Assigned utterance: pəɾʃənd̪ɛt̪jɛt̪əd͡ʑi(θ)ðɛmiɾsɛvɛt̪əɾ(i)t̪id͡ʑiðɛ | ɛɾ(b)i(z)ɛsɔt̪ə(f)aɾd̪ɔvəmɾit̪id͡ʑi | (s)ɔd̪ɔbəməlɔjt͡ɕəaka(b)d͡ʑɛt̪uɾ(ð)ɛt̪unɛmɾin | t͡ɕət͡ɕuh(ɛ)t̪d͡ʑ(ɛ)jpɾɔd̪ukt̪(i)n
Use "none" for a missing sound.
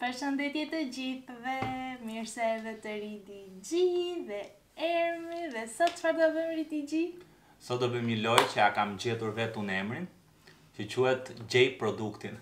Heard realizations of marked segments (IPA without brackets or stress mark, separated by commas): θ, i, m, ð, f, s, m, v, ɛ, ɛ, i